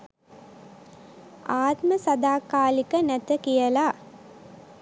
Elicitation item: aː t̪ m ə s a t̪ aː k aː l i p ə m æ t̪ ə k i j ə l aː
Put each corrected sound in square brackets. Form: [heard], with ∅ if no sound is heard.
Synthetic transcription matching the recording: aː t̪ m ə s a [d̪] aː k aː l i [k] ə [n] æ t̪ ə k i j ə l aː